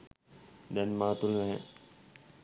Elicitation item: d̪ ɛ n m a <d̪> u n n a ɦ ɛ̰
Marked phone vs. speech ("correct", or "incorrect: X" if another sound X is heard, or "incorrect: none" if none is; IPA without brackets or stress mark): incorrect: t̪